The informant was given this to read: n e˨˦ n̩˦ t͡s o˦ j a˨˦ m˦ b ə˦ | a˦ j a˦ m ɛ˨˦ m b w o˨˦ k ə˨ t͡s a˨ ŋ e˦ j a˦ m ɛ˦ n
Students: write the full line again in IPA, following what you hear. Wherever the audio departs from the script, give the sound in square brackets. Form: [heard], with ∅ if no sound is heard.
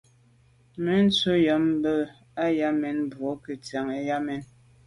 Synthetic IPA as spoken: [m] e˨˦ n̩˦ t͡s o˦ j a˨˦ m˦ b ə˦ | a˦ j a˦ m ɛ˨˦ [n] b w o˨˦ k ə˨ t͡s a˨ ŋ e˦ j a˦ m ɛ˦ n